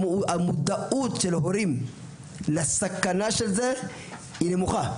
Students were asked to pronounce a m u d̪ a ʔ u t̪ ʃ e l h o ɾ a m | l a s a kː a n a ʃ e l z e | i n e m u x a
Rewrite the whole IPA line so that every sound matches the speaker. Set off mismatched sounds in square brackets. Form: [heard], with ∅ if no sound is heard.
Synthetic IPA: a m u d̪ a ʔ u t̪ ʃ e l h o ɾ [i] m | l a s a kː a n a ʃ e l z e | i n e m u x a